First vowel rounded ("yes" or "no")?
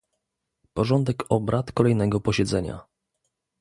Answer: yes